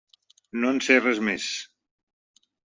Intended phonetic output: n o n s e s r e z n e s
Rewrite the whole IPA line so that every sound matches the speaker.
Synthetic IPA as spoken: n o n s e r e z m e s